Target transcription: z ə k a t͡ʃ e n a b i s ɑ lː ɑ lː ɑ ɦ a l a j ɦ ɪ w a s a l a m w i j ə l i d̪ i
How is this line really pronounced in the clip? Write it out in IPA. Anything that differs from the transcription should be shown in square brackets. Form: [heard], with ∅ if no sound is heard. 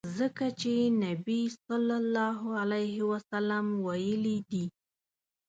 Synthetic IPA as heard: z ə k a t͡ʃ e n a b i s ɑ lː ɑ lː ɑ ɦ a l a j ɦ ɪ w a s a l a m w [a] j ə l i d̪ i